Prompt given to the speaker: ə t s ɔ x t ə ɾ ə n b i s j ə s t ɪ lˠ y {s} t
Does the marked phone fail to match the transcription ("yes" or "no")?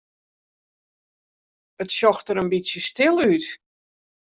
yes